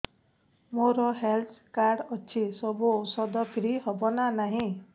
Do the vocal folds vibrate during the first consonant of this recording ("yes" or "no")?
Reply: yes